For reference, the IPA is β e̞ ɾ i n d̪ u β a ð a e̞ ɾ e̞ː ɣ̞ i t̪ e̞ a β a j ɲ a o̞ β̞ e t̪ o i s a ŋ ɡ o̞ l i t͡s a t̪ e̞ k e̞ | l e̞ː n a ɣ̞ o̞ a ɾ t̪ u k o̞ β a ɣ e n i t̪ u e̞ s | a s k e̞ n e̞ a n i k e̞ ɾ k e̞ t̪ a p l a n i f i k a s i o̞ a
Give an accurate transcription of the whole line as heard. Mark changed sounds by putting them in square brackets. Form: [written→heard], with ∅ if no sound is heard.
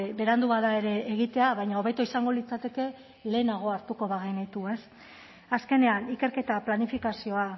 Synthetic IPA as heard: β e̞ ɾ [i→a] n d̪ u β a ð a e̞ ɾ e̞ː ɣ̞ i t̪ e̞ a β a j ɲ a o̞ β̞ e t̪ o i s a ŋ ɡ o̞ l i t͡s a t̪ e̞ k e̞ | l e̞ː n a ɣ̞ o̞ a ɾ t̪ u k o̞ β a ɣ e n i t̪ u e̞ s | a s k e̞ n e̞ a n i k e̞ ɾ k e̞ t̪ a p l a n i f i k a s i o̞ a